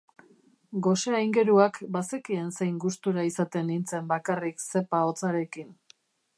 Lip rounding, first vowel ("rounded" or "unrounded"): rounded